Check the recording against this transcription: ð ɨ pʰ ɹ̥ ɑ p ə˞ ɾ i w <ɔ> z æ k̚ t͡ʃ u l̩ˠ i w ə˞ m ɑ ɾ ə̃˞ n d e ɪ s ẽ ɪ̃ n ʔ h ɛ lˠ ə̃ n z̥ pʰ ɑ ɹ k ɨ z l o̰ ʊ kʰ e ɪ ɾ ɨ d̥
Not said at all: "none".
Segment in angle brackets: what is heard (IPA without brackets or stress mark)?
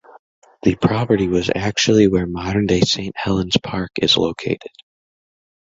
ʌ